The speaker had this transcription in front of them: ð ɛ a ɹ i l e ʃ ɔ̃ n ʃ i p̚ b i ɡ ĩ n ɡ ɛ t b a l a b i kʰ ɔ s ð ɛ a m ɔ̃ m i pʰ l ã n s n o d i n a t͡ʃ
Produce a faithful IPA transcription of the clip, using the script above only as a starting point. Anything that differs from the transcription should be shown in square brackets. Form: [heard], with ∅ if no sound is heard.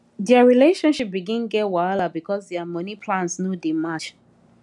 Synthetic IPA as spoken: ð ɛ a ɹ i l e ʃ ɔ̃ n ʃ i p̚ b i ɡ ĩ n ɡ ɛ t [w] a l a b i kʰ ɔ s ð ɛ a m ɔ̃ [n] i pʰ l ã n s n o d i [m] a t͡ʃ